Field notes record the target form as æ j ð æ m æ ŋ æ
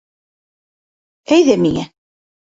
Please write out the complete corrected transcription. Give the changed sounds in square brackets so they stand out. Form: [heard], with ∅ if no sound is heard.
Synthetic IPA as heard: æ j ð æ m [i] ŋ æ